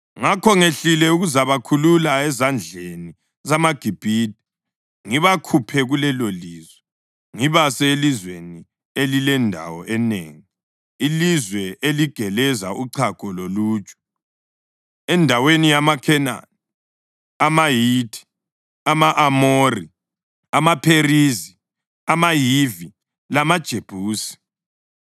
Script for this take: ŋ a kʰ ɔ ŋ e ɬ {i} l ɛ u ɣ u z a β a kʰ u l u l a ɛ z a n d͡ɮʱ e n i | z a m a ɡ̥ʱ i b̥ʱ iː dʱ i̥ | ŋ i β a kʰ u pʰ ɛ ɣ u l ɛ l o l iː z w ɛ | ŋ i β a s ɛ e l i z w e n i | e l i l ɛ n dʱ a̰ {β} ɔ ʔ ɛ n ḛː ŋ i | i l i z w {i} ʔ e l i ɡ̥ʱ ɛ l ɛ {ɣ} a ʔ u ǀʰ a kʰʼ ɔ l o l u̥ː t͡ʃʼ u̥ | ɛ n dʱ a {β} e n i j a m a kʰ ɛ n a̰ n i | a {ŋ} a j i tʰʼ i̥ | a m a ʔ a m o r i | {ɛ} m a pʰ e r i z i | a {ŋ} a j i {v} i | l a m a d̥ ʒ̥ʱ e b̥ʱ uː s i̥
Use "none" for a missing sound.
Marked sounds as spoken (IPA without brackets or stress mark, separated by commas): i, w, ɛ, z, w, m, a, m, v